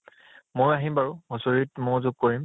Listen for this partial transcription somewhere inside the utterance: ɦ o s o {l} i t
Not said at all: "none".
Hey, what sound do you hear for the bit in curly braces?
ɹ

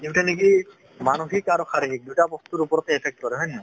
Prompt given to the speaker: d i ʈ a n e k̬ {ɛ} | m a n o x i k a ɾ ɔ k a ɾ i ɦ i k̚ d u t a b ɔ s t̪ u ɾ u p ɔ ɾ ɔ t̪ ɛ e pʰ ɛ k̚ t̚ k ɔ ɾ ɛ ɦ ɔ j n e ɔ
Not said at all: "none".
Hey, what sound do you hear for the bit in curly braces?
i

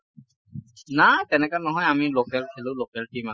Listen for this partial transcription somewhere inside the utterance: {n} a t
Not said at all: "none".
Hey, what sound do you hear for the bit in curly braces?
n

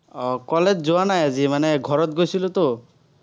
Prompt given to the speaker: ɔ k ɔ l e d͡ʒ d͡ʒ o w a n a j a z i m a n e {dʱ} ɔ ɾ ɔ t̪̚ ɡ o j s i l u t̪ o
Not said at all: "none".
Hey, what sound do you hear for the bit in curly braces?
ɡʱ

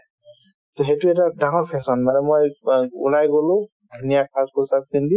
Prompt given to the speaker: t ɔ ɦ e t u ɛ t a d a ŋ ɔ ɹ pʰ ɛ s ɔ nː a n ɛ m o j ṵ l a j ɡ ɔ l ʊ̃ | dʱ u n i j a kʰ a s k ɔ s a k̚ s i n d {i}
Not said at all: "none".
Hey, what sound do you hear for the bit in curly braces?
i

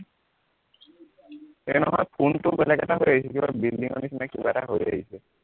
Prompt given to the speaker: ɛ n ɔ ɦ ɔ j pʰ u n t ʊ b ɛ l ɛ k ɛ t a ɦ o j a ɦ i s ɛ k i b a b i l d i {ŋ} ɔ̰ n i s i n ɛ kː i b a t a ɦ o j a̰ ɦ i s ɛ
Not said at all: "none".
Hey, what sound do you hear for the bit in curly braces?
ŋ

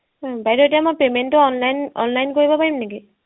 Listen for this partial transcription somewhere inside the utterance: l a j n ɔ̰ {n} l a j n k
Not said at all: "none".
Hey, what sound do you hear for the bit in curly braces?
n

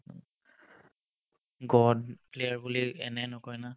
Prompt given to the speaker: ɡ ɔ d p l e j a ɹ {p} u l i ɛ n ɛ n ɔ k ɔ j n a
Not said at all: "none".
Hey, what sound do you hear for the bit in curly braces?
b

